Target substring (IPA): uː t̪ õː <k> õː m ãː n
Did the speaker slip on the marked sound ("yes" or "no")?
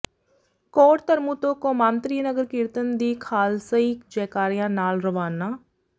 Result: no